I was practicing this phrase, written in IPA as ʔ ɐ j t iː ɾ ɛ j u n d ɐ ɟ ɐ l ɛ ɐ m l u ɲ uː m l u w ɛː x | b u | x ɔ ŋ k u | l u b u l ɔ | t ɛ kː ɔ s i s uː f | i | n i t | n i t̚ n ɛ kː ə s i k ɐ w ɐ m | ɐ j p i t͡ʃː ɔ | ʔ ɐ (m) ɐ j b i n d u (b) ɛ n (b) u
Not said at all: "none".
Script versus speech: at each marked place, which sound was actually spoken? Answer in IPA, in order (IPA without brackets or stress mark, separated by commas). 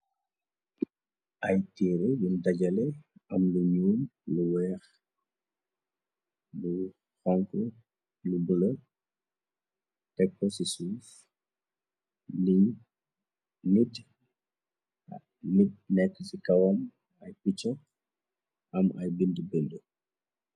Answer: m, b, d